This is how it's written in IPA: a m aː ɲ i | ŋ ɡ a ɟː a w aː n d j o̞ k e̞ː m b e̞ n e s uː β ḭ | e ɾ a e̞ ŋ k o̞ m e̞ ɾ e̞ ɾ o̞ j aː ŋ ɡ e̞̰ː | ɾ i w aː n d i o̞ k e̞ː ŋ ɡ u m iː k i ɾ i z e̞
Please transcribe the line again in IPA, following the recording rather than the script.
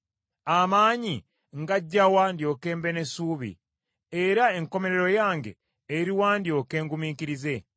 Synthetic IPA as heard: a m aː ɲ i | ŋ ɡ a ɟː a w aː n d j o̞ k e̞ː m b e̞ n e s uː β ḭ | e ɾ a e̞ ŋ k o̞ m e̞ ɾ e̞ ɾ o̞ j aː ŋ ɡ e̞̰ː | ɾ i w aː n d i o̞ k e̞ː ŋ ɡ u m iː k i ɾ i z e̞